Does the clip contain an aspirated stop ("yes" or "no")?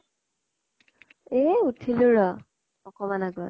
yes